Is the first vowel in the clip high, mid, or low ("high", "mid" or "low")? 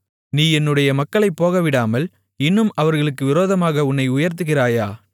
high